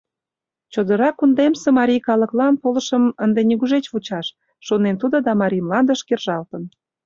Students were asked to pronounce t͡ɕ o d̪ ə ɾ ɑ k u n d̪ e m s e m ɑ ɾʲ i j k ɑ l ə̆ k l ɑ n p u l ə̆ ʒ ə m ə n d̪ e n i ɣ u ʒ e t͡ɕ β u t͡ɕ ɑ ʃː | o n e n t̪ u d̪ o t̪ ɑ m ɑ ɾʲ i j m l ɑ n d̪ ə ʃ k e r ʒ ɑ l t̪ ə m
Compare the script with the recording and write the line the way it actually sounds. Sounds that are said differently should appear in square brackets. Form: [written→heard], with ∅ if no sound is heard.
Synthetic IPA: t͡ɕ o d̪ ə ɾ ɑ k u n d̪ e m s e m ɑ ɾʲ i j k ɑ l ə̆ k l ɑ n p [u→o] l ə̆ [ʒ→ʃ] ə m ə n d̪ e n i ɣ u ʒ e t͡ɕ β u t͡ɕ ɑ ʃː | o n e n t̪ u d̪ o [t̪→d̪] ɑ m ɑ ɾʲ i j m l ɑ n d̪ ə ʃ k e r ʒ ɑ l t̪ ə [m→n]